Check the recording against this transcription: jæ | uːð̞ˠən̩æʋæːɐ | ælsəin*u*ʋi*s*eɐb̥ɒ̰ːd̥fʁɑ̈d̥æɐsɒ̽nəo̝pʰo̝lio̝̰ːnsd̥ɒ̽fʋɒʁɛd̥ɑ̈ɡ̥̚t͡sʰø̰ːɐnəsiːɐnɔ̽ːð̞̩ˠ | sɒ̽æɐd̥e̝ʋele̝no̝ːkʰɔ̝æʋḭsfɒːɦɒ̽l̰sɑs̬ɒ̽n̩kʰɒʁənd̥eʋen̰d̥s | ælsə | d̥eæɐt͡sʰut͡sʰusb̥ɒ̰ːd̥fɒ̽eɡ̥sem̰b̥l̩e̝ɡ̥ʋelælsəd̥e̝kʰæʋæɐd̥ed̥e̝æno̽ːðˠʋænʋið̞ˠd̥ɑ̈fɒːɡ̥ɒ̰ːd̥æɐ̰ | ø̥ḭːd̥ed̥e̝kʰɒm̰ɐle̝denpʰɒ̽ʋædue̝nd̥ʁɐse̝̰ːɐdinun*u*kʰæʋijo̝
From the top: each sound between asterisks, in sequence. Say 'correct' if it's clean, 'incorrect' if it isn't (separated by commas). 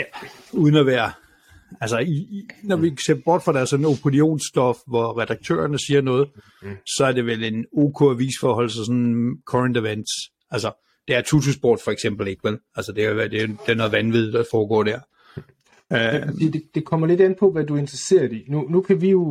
incorrect, correct, correct